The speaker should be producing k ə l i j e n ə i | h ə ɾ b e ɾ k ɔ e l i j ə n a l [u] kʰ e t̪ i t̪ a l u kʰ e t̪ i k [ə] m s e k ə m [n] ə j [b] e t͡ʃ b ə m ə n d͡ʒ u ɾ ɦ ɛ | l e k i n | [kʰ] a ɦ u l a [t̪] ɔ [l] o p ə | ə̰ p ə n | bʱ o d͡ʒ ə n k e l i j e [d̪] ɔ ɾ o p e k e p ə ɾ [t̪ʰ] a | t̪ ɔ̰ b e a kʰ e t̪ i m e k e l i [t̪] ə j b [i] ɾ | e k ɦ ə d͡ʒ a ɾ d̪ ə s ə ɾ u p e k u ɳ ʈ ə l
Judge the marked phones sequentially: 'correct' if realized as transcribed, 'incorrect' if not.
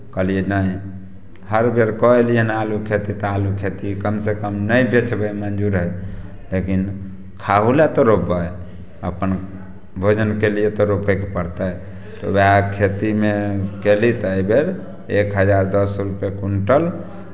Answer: correct, correct, correct, correct, correct, correct, incorrect: ɾ, incorrect: t̪, incorrect: t̪, correct, incorrect: e

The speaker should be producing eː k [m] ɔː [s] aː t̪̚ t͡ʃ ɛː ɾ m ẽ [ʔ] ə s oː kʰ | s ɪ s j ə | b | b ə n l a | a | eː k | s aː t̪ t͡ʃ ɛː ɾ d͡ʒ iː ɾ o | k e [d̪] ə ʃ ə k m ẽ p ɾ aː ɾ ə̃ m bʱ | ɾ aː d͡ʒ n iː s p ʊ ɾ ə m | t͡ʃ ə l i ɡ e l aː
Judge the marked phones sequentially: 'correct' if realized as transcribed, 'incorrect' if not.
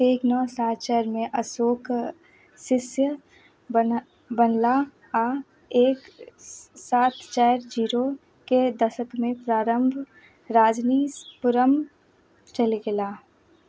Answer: incorrect: n, correct, correct, correct

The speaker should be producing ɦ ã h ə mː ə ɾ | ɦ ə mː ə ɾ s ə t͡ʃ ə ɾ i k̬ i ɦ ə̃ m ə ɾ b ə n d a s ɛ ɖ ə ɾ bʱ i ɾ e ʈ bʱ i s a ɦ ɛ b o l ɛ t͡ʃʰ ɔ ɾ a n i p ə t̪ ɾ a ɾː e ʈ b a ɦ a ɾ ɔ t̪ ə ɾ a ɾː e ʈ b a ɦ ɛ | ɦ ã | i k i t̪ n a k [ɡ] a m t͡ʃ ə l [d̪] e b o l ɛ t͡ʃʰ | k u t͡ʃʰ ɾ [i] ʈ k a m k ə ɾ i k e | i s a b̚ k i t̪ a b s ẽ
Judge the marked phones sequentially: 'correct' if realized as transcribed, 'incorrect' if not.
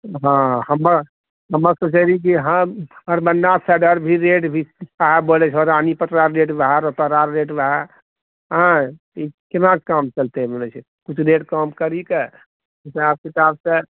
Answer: incorrect: k, incorrect: t̪, incorrect: e

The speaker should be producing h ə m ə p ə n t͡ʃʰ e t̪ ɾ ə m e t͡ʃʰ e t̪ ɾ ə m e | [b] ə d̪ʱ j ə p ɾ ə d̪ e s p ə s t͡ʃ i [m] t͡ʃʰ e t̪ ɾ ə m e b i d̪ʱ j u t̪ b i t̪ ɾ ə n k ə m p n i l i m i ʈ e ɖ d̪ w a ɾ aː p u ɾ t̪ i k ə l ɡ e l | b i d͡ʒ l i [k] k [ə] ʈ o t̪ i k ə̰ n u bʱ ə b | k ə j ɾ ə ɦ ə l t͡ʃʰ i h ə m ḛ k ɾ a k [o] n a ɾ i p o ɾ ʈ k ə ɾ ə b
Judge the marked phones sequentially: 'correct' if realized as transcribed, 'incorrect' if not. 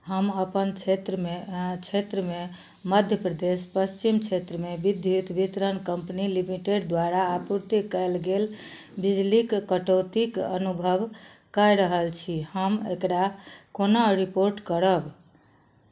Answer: incorrect: m, correct, correct, correct, correct

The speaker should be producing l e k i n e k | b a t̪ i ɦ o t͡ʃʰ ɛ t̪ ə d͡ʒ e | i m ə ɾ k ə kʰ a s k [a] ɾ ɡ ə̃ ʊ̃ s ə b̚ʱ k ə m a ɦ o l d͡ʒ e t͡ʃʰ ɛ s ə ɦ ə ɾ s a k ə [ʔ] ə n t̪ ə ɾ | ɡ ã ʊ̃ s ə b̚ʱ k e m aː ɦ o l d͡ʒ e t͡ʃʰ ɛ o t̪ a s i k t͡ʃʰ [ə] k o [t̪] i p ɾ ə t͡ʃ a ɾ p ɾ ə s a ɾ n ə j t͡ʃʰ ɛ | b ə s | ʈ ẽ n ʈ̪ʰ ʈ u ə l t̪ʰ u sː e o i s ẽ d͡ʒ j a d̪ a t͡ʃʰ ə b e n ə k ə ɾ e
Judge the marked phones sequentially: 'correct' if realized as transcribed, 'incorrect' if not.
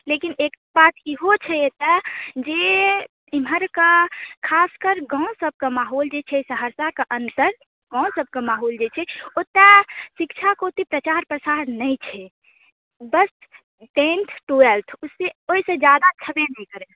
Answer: incorrect: ə, correct, incorrect: a, correct

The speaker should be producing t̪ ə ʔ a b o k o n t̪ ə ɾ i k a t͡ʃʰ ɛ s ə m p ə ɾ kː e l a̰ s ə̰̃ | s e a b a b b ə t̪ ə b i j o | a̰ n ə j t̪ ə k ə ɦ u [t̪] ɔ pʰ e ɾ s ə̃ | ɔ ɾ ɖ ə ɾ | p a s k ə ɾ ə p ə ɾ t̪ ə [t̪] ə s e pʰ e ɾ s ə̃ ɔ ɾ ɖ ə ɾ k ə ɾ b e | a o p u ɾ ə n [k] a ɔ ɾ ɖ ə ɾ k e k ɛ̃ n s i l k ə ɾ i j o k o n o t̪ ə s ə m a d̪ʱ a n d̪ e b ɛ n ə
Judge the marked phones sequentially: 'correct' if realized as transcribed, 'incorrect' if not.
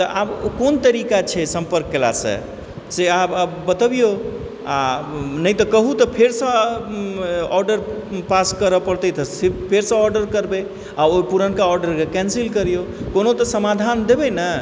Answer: correct, correct, correct

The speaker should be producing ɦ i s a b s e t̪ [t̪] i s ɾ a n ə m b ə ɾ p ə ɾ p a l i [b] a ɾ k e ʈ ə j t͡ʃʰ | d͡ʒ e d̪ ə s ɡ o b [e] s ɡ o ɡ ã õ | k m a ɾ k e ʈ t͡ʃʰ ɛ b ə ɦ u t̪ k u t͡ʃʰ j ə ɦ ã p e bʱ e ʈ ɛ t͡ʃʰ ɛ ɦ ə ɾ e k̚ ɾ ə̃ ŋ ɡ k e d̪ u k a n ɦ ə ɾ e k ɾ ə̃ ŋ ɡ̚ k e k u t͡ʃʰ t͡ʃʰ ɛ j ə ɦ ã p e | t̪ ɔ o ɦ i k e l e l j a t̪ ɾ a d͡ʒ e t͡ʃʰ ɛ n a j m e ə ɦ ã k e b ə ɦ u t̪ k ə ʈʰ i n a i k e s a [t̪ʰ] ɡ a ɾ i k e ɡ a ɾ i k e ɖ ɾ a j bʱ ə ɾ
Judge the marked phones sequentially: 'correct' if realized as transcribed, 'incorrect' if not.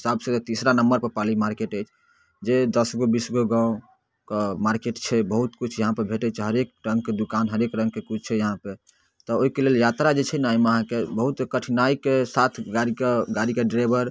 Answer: correct, incorrect: m, incorrect: i, correct

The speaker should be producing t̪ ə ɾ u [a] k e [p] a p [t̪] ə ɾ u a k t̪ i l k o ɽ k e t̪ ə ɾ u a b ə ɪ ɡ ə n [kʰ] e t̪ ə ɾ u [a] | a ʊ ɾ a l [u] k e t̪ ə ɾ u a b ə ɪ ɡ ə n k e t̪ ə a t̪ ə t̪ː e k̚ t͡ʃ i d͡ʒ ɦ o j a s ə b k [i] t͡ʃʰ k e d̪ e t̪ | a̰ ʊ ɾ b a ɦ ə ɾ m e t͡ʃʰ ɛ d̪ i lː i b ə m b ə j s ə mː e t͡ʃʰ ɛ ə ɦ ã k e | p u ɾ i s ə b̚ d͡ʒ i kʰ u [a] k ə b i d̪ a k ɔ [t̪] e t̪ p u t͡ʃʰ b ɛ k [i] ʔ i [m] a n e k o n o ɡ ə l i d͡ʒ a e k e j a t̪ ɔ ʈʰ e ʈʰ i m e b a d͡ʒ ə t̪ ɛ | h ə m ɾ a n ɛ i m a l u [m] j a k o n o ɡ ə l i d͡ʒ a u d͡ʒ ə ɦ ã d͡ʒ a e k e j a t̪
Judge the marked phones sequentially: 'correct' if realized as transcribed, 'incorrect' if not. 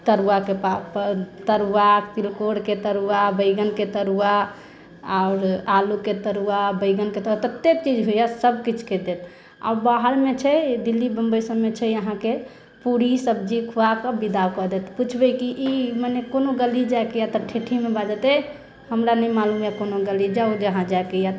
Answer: correct, correct, correct, incorrect: k, correct, correct, correct, correct, incorrect: d̪, correct, correct, correct

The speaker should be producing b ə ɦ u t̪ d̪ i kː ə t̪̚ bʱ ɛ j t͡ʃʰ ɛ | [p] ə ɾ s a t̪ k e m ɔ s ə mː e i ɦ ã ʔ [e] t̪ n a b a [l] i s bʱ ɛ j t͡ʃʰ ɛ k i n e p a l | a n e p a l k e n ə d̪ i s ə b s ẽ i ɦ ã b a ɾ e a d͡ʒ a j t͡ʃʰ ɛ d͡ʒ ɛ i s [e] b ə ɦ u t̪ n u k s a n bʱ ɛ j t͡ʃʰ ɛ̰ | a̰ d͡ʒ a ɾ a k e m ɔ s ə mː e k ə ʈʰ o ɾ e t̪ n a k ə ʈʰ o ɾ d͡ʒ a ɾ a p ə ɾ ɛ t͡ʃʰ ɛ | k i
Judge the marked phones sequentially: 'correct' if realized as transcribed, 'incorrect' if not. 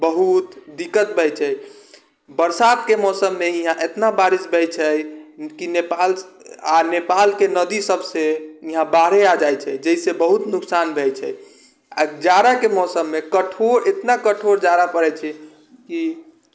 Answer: incorrect: b, correct, incorrect: ɾ, correct

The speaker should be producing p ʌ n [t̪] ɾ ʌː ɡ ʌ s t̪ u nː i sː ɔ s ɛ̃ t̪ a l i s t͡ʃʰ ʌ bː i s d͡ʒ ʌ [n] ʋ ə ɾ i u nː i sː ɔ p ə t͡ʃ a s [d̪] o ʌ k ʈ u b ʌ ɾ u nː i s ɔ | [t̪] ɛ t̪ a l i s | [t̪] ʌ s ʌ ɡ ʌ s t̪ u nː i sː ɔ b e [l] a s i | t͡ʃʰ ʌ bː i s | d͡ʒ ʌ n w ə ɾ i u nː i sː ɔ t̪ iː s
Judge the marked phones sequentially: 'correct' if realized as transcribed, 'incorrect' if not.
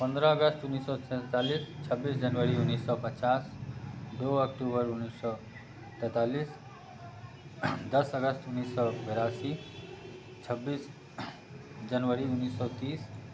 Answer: incorrect: d̪, correct, correct, correct, incorrect: d̪, incorrect: ɾ

